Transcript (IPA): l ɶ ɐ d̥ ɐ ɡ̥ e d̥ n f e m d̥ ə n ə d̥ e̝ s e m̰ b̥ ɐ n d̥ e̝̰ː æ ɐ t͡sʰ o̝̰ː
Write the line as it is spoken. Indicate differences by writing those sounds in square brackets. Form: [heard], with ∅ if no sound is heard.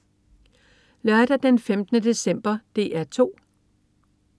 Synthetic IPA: l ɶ ɐ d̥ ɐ [d̥] e [∅] n f e m d̥ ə n ə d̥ e̝ s e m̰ b̥ ɐ [∅] d̥ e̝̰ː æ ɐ t͡sʰ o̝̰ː